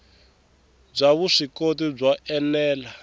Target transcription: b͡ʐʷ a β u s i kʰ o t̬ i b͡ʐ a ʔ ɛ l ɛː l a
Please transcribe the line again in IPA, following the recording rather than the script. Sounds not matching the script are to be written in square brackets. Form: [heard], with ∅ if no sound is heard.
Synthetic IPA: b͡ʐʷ a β u [ʂ] i [k] o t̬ i b͡ʐ a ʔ ɛ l ɛː l a